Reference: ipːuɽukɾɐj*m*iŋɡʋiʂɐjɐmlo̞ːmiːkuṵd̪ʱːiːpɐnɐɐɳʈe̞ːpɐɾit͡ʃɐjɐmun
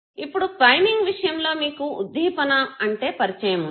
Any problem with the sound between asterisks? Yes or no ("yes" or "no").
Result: no